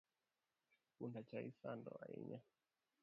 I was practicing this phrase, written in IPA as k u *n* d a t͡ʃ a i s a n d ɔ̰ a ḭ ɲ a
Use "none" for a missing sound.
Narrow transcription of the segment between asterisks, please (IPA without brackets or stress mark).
n